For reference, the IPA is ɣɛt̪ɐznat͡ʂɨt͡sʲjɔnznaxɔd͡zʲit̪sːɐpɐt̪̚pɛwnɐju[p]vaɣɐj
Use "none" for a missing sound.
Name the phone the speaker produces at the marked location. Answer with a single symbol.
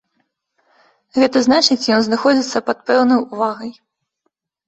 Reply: none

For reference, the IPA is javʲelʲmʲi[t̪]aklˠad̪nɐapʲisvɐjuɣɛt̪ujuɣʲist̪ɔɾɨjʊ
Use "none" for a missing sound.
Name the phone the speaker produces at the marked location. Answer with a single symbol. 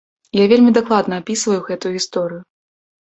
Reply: d̪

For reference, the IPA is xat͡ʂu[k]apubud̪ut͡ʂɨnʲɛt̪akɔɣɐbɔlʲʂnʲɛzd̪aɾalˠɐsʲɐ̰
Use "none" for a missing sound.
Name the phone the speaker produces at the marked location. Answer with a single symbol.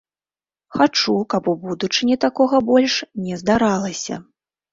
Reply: k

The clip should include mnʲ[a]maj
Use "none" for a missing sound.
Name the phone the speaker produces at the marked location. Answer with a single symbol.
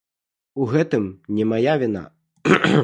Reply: ɛ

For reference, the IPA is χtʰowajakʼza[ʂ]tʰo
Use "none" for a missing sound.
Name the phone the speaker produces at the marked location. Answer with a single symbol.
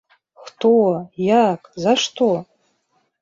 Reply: ʂ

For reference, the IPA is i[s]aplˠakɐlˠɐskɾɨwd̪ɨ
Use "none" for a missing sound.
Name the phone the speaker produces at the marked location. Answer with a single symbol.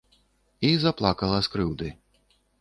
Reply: z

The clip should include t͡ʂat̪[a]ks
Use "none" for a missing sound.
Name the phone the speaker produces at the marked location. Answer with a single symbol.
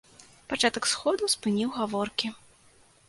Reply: ɐ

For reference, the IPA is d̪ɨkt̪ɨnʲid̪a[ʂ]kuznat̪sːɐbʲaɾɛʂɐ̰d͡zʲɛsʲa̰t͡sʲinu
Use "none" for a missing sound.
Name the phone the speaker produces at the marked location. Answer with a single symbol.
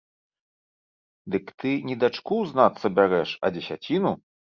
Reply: t͡ʂ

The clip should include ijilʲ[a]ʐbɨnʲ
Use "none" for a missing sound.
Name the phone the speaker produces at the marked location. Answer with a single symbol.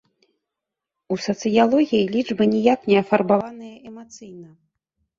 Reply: i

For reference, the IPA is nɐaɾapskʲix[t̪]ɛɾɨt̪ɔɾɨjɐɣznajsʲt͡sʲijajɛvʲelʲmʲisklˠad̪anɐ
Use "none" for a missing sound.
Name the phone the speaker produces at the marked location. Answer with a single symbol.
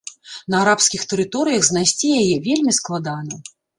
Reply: t̪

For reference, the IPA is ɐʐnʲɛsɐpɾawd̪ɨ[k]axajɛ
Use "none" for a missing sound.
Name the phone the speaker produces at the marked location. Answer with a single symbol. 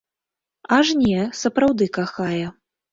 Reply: k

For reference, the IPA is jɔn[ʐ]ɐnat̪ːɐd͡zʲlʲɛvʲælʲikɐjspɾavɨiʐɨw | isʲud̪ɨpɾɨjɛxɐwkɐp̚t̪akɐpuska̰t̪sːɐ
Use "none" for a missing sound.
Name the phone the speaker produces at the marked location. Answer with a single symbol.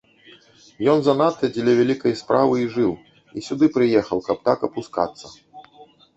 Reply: z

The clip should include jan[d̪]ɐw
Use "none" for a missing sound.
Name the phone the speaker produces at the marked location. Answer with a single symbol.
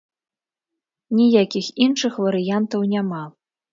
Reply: t̪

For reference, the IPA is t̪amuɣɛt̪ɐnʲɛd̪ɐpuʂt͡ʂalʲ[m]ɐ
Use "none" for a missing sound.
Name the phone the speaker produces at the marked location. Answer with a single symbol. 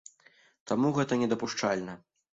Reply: n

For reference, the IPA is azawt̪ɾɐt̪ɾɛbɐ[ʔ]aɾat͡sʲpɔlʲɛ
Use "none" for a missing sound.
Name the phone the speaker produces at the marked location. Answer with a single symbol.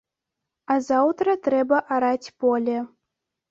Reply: ʔ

